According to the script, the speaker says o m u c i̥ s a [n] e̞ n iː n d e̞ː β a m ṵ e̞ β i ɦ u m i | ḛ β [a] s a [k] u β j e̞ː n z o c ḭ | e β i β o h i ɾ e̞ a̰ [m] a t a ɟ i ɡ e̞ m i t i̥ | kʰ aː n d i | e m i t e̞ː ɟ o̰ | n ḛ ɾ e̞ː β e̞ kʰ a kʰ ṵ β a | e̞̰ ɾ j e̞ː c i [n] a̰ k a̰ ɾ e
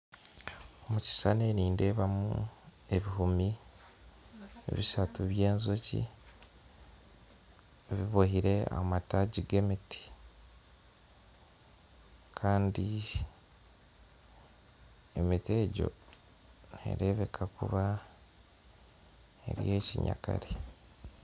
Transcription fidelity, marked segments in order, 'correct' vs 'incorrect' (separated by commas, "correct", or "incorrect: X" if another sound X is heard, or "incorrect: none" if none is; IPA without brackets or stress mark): correct, incorrect: i, incorrect: t, correct, incorrect: ɲ